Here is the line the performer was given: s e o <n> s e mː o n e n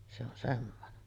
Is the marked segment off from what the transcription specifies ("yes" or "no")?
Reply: no